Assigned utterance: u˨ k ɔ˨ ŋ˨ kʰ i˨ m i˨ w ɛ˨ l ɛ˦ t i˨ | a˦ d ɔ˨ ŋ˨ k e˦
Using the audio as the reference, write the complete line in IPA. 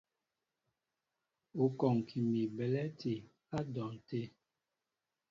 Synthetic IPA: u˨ k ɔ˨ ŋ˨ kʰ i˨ m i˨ b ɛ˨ l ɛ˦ t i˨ | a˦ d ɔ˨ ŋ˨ t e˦